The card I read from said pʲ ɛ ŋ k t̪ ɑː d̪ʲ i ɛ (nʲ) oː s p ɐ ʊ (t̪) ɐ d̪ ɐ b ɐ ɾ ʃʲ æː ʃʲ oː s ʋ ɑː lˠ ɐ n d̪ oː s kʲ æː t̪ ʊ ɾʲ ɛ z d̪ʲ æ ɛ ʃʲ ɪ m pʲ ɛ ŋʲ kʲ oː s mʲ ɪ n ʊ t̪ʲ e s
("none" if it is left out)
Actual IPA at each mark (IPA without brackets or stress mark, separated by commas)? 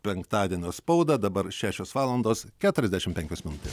nʲ, d̪